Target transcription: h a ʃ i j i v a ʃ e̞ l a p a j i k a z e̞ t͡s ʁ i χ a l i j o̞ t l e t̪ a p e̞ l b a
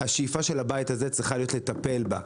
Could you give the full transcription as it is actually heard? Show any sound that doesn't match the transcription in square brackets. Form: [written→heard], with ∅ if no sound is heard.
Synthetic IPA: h a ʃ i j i [v→f] a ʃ e̞ l a [p→b] a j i [k→t] a z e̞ t͡s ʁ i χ a l i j o̞ t l e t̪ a p e̞ l b a